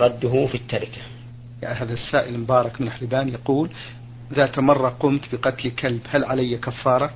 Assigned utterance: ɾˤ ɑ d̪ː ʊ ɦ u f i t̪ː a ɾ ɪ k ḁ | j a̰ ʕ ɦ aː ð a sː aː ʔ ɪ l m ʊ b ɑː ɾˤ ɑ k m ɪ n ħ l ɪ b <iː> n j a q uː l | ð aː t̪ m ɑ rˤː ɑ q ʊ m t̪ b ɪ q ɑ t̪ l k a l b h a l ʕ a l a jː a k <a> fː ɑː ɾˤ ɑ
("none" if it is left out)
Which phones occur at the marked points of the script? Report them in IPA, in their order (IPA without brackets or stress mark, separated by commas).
aː, a